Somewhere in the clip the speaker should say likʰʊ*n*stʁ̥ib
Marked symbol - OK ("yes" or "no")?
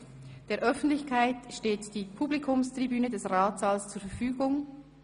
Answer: no